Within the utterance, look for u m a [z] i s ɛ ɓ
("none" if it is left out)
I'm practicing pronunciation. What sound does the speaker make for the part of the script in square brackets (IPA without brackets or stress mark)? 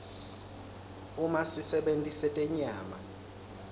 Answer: s